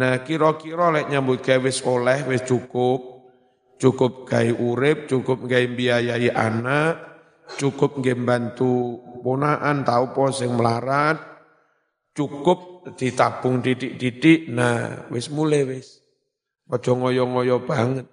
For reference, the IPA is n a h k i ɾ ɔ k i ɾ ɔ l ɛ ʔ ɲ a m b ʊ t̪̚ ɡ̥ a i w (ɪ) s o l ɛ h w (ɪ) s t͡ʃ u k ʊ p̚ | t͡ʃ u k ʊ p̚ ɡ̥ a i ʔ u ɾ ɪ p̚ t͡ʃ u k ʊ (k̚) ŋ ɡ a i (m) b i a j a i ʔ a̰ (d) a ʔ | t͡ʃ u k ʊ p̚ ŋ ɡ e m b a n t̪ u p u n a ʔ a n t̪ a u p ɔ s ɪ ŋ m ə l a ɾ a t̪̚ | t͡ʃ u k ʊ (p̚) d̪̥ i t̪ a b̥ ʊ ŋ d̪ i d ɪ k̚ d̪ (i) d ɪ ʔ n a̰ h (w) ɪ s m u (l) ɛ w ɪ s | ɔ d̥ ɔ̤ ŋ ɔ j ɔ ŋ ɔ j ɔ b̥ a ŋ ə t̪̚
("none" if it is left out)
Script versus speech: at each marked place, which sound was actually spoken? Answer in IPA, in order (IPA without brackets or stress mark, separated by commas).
ɪ, ɪ, p̚, m, n, p̚, i, w, l